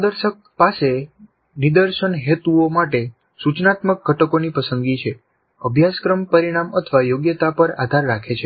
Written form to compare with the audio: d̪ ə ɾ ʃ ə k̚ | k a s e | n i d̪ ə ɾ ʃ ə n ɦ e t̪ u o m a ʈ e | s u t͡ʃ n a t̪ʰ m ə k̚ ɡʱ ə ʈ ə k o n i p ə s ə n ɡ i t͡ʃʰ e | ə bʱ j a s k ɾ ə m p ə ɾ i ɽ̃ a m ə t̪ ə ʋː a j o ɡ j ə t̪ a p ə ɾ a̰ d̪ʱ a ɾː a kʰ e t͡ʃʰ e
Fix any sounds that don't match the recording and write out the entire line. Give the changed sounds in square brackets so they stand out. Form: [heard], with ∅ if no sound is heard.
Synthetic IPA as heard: d̪ ə ɾ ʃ ə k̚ | [p] a s e | n i d̪ ə ɾ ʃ ə n ɦ e t̪ u o m a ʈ e | s u t͡ʃ n a [t̪] m ə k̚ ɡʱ ə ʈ ə k o n i p ə s ə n ɡ i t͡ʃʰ e | ə bʱ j a s k ɾ ə m p ə ɾ i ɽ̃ a m ə [t̪ʰ] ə [ʋ] a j o ɡ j ə t̪ a p ə ɾ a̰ d̪ʱ a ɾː a kʰ e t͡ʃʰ e